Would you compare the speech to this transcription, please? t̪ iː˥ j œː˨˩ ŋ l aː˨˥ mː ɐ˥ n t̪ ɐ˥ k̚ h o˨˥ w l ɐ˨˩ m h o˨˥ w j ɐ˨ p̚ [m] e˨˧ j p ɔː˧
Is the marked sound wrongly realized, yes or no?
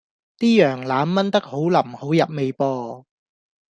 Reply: no